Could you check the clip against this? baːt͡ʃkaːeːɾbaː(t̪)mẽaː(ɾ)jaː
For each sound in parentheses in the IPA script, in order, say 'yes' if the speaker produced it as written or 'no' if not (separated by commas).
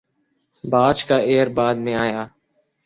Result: no, no